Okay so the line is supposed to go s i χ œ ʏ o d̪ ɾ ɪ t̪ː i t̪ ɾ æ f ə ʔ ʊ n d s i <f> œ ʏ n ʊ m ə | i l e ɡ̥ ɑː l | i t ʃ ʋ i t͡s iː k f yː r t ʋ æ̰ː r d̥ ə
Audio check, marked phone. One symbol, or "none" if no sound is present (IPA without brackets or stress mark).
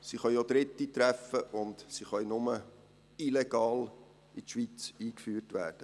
χ